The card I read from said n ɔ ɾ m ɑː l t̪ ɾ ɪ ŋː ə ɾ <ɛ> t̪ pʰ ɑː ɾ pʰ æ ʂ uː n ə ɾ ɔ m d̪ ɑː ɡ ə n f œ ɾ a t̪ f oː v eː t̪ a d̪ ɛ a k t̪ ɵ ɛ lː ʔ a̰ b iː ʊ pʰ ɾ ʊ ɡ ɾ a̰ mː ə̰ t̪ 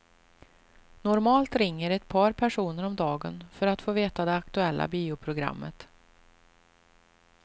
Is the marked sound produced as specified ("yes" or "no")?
yes